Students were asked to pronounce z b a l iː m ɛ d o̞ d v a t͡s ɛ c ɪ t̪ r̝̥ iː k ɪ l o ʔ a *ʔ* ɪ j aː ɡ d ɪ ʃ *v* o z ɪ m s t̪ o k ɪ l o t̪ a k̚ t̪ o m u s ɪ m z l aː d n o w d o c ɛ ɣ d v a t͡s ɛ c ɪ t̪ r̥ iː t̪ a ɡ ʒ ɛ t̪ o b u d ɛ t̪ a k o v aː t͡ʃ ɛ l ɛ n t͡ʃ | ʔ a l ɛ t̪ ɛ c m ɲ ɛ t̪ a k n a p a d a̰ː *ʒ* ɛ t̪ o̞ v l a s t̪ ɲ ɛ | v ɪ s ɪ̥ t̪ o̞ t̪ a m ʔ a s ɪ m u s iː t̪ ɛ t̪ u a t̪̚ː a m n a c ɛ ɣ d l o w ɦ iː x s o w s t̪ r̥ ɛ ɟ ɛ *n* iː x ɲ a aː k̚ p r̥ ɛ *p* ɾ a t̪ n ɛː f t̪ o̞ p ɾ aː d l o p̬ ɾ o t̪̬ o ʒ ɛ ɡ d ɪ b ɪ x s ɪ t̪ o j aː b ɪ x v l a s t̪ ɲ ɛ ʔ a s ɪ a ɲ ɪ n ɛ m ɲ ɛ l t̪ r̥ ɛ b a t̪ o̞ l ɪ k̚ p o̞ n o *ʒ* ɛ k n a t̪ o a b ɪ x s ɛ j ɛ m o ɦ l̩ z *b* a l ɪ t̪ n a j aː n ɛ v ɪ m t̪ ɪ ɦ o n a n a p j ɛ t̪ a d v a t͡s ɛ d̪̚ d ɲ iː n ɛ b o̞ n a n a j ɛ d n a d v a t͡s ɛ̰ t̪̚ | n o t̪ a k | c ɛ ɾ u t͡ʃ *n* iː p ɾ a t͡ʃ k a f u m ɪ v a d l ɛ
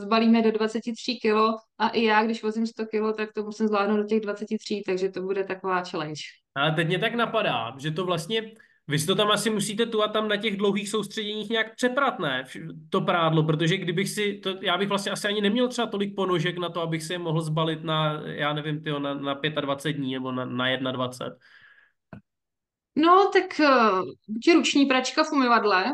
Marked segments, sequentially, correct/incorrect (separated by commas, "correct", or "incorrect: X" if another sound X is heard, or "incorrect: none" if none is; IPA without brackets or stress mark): correct, correct, correct, incorrect: ɲ, correct, correct, correct, incorrect: ɲ